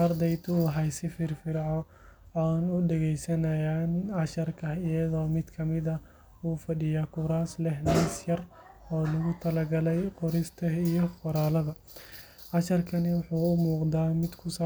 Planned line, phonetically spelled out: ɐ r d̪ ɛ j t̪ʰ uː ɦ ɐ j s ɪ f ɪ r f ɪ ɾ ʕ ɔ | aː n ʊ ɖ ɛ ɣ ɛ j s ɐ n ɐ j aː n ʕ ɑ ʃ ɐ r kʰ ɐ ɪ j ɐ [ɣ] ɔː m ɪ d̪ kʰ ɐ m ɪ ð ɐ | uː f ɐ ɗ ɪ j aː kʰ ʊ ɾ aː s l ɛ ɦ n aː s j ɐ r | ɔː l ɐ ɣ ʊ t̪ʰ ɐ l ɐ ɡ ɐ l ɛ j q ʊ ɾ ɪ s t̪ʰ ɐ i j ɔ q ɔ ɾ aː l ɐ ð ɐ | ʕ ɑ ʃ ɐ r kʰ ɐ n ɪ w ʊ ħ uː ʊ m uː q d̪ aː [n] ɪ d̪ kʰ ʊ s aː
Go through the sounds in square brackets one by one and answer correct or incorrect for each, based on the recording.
incorrect: ð, incorrect: m

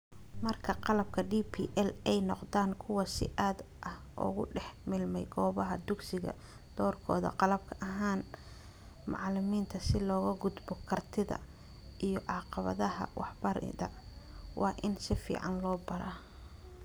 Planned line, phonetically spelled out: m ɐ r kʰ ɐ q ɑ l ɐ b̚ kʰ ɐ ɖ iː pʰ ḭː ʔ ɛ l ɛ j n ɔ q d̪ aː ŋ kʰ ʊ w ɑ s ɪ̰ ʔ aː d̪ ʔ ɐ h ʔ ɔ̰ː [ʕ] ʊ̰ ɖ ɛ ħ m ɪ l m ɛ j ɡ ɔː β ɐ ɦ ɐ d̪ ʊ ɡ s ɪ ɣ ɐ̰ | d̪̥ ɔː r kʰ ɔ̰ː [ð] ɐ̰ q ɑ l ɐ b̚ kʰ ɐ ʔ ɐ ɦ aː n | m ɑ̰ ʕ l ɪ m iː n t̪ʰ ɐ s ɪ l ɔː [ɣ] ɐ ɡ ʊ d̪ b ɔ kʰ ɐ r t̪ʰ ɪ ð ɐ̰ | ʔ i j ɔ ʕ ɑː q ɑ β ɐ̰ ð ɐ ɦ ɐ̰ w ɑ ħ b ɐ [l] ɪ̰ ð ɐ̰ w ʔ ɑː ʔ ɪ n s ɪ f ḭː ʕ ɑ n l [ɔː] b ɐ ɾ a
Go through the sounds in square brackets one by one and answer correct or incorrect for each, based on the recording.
incorrect: ɣ, correct, correct, incorrect: ɾ, correct

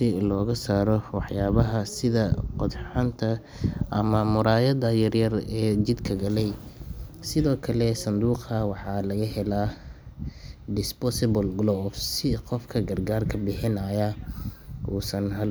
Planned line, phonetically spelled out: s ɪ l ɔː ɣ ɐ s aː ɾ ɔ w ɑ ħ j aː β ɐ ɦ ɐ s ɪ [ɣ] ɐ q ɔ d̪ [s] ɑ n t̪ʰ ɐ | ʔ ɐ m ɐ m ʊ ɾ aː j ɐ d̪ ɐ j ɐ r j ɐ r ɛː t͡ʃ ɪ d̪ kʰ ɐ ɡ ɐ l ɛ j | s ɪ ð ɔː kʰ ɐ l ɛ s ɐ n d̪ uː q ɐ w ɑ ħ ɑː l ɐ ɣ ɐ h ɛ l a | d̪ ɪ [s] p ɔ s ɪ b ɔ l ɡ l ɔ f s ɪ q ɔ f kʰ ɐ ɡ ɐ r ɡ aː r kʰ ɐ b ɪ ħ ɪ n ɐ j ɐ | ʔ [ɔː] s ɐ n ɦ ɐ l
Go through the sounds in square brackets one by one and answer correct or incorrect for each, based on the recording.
incorrect: ð, incorrect: ħ, correct, incorrect: uː

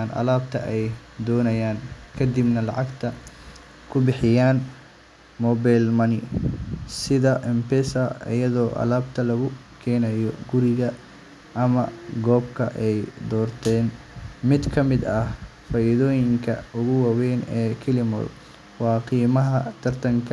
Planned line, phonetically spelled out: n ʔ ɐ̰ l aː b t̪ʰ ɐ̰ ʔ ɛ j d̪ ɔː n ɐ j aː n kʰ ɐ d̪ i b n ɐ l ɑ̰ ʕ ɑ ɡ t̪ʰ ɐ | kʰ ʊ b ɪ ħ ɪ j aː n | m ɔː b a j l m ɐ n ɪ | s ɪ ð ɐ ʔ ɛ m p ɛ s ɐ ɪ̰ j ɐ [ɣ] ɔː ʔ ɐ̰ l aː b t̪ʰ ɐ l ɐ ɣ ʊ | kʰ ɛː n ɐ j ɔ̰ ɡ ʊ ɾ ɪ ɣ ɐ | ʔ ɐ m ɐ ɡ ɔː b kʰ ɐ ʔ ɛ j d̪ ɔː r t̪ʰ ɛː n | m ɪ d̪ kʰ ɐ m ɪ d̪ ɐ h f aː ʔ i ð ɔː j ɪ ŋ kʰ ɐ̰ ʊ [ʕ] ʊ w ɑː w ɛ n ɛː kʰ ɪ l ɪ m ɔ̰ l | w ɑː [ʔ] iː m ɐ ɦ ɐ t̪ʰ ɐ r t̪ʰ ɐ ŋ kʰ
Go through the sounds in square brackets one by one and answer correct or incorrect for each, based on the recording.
incorrect: ð, incorrect: ɣ, incorrect: q

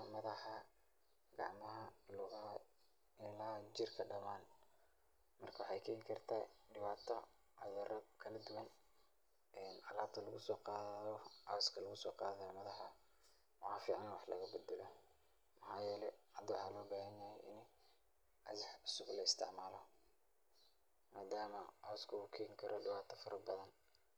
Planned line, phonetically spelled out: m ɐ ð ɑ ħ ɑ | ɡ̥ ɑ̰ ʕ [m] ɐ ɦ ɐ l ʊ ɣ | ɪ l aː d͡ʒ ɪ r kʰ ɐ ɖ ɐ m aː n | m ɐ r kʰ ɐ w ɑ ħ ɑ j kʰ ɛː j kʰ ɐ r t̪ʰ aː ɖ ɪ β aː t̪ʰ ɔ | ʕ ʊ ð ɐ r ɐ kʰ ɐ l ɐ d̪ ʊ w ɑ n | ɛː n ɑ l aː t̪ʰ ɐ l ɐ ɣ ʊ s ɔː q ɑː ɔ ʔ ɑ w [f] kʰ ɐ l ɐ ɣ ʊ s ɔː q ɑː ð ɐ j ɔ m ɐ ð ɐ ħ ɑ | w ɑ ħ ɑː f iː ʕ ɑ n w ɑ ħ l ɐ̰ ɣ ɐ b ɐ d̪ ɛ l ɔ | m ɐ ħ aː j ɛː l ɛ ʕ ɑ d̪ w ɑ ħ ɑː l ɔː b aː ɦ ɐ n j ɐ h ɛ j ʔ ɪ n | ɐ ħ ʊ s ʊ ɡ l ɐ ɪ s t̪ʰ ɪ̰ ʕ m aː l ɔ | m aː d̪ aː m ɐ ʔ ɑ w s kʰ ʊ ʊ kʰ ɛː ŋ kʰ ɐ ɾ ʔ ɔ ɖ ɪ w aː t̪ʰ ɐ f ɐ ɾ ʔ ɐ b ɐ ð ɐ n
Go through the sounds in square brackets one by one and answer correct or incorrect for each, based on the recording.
correct, incorrect: s

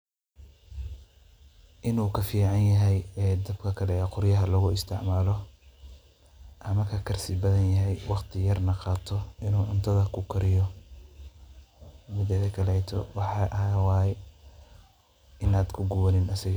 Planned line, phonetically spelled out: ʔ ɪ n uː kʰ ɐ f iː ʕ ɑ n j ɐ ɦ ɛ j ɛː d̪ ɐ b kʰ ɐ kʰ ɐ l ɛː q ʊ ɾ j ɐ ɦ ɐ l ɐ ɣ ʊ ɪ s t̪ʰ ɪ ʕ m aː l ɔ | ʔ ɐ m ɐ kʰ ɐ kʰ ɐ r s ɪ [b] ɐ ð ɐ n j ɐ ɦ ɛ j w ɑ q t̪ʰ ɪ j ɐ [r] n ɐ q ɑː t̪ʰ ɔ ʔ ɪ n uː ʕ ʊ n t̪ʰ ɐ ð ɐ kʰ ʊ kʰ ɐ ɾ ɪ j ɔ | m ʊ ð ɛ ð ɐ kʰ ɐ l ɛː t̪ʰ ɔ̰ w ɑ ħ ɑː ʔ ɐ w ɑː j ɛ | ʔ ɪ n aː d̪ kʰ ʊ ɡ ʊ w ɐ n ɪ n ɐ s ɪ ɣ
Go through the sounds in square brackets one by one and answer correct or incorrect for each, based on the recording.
correct, correct

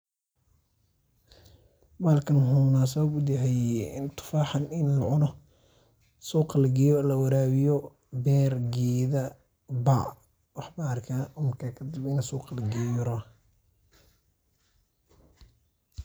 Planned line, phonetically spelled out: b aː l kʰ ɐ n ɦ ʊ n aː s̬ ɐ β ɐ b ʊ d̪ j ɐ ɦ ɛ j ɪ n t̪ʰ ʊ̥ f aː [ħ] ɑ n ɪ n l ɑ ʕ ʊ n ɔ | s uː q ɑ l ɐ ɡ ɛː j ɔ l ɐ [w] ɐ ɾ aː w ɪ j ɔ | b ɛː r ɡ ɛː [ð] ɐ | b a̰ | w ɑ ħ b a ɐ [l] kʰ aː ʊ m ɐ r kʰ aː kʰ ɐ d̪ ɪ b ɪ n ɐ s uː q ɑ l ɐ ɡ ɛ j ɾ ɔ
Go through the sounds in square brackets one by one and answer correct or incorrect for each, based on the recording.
correct, correct, correct, incorrect: r

